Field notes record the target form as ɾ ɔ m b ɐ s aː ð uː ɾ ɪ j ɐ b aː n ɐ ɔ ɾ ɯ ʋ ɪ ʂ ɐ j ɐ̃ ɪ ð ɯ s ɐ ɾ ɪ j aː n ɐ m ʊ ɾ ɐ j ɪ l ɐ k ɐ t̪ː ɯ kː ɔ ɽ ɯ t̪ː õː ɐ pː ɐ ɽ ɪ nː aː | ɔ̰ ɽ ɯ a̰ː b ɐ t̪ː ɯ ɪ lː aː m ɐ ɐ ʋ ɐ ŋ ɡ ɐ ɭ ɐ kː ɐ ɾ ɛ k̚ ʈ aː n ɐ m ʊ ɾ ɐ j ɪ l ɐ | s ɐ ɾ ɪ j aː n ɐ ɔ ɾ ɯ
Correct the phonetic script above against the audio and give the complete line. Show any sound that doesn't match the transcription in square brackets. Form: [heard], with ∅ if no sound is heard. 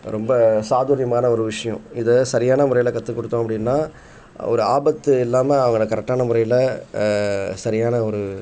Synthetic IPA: ɾ ɔ m b ɐ s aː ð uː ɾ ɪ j ɐ [m] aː n ɐ ɔ ɾ ɯ ʋ ɪ ʂ ɐ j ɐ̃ ɪ ð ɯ s ɐ ɾ ɪ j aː n ɐ m ʊ ɾ ɐ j ɪ l ɐ k ɐ t̪ː ɯ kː ɔ ɽ ɯ t̪ː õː ɐ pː ɐ ɽ ɪ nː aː | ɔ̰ [ɾ] ɯ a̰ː b ɐ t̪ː ɯ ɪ lː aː m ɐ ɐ ʋ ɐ ŋ ɡ ɐ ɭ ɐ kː ɐ ɾ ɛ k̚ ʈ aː n ɐ m ʊ ɾ ɐ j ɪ l ɐ | s ɐ ɾ ɪ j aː n ɐ ɔ ɾ ɯ